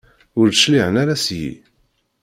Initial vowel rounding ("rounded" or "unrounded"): rounded